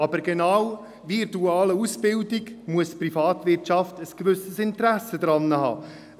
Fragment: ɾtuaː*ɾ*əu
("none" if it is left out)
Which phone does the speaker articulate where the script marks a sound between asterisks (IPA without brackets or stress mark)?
l